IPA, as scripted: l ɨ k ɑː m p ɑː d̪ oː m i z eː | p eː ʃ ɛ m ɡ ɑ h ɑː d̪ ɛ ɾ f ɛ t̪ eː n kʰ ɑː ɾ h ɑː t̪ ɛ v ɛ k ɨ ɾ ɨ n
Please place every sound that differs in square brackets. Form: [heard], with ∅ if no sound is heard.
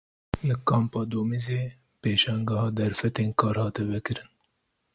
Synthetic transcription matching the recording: l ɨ k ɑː m p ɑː d̪ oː m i z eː | p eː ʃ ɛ [ŋ] ɡ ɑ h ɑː d̪ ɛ ɾ f ɛ t̪ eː n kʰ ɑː ɾ h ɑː t̪ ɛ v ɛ k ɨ ɾ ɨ n